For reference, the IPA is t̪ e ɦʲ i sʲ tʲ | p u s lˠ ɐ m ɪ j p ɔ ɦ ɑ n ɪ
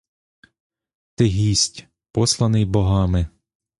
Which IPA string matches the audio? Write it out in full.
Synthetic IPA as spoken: t̪ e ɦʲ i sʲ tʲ | p ɔ s lˠ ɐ n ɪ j b ɔ ɦ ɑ m ɪ